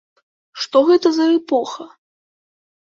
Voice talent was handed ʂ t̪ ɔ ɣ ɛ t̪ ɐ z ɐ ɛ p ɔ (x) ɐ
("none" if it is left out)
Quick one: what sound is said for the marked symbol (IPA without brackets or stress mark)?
x